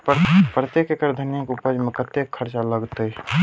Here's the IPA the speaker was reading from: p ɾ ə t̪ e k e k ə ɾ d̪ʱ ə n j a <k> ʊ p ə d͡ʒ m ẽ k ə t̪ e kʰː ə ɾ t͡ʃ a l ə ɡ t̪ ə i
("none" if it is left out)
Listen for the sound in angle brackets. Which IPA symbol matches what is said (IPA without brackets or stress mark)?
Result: k